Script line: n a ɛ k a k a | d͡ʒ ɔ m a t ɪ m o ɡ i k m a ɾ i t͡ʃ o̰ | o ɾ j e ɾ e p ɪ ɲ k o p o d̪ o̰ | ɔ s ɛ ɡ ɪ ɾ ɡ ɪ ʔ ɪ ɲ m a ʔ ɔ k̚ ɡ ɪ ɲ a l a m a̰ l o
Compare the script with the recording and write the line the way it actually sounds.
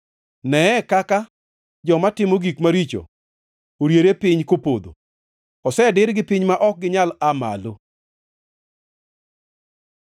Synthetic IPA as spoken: n ɛ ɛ k a k a | d͡ʒ ɔ m a t ɪ m o ɡ i k m a ɾ i t͡ʃ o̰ | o ɾ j e ɾ e p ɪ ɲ k o p o d̪ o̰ | ɔ s ɛ d ɪ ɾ ɡ ɪ p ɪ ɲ m a ʔ ɔ k̚ ɡ ɪ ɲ a l a m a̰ l o